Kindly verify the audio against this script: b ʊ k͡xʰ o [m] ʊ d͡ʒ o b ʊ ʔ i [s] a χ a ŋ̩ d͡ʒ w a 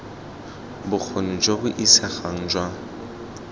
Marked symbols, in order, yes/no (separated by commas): no, yes